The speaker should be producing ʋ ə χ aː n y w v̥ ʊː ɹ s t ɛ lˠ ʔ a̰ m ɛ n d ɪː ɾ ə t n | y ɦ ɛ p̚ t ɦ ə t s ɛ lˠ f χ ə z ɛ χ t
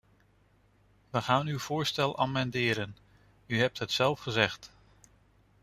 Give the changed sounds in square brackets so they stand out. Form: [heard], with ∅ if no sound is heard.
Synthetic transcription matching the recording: ʋ ə χ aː n y w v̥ ʊː ɹ s t ɛ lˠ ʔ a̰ m ɛ n d ɪː ɾ ə [∅] n | y ɦ ɛ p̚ t ɦ ə t s ɛ lˠ f χ ə z ɛ χ t